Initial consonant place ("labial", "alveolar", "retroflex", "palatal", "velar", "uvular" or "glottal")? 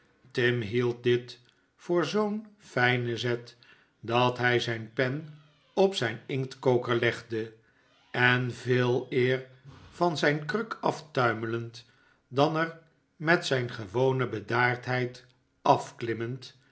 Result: alveolar